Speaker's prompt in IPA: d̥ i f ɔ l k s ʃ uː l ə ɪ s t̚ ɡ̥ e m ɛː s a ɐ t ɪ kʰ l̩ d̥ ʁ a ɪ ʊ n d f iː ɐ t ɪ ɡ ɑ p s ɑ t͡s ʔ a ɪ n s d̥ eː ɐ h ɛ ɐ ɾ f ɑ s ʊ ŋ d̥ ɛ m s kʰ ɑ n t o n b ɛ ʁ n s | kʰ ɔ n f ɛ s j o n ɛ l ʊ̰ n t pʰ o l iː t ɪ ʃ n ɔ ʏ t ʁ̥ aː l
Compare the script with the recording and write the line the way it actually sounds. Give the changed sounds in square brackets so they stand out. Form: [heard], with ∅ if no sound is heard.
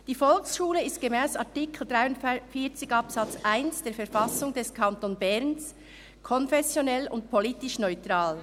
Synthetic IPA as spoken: d̥ [iː] f ɔ l k s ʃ uː l ə ɪ s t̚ ɡ̥ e m ɛː s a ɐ t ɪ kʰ l̩ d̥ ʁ a ɪ ʊ n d f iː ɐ [t͡s] ɪ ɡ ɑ p s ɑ t͡s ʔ a ɪ n s d̥ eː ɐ [f] ɛ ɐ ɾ f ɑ s ʊ ŋ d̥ ɛ [∅] s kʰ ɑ n t o n b ɛ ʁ n s | kʰ ɔ n f ɛ s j o n ɛ l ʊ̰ n t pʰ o l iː t ɪ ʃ n ɔ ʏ t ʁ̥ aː l